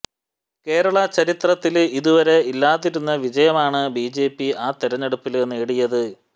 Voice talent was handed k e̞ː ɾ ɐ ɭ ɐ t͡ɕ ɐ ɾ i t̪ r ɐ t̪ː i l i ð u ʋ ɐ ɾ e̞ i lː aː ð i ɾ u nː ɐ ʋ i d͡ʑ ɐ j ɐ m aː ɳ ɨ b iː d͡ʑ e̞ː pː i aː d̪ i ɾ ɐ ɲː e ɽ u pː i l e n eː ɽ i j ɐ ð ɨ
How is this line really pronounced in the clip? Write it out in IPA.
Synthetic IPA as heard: k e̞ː ɾ ɐ ɭ ɐ t͡ɕ ɐ ɾ i t̪ r ɐ t̪ː i l i ð u ʋ ɐ ɾ e̞ i lː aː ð i ɾ u nː ɐ ʋ i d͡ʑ ɐ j ɐ m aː ɳ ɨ b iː d͡ʑ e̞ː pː i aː t̪ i ɾ ɐ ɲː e ɽ u pː i l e nː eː ɽ i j ɐ ð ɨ